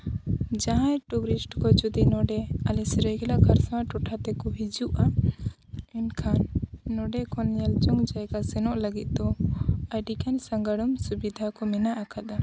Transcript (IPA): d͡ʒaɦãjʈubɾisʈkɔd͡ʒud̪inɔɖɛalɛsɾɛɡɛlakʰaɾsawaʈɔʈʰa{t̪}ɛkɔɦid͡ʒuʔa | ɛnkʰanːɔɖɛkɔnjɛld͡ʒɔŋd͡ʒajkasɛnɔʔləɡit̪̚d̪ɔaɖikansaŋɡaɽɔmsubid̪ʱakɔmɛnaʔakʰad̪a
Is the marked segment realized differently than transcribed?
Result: no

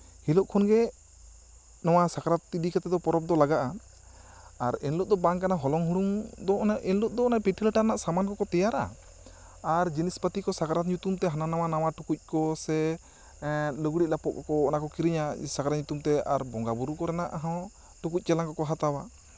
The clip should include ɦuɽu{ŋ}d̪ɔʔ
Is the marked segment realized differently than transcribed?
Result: no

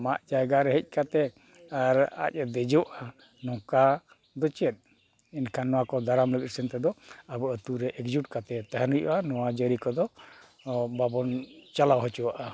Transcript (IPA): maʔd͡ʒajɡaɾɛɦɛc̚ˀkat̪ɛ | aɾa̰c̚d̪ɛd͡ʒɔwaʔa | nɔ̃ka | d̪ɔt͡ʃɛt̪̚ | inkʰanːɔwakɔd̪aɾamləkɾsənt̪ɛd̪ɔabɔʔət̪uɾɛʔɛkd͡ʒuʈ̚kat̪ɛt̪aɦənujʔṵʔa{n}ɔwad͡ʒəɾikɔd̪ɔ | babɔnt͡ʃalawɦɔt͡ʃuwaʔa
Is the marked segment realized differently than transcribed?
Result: no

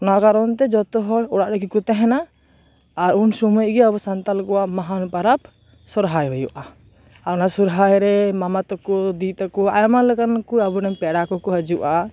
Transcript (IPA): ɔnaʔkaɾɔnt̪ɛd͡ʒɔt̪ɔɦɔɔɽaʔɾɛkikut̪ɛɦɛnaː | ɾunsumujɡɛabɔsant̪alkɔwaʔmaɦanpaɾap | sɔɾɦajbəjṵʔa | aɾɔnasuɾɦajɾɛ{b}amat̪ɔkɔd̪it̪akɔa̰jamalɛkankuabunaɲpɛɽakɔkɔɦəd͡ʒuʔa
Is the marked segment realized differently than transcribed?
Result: yes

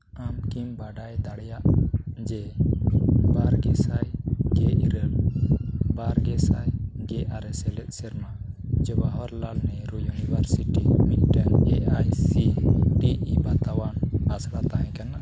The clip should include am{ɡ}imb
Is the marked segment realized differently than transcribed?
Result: yes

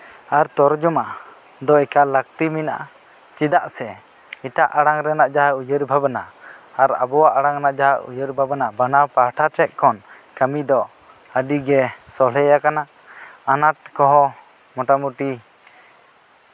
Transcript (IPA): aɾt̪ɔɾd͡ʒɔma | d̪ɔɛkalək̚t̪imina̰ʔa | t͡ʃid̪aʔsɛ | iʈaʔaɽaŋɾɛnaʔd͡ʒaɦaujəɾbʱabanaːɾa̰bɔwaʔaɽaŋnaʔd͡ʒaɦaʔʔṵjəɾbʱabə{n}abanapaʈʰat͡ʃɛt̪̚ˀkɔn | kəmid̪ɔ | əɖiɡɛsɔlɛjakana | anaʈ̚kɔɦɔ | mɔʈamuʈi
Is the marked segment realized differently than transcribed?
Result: no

